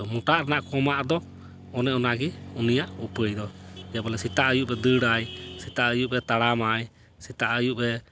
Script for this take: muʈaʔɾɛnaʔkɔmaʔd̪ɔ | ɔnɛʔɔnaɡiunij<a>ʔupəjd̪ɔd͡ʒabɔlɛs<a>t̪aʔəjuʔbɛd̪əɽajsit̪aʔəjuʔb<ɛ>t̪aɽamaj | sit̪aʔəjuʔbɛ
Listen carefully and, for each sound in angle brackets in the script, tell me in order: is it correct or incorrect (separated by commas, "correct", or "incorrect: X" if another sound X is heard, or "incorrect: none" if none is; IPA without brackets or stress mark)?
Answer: correct, incorrect: i, correct